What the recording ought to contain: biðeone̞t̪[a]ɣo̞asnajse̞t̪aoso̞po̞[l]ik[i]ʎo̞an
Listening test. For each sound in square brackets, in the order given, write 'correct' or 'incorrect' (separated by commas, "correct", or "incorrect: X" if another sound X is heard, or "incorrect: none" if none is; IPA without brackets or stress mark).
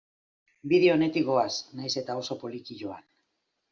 incorrect: i, correct, correct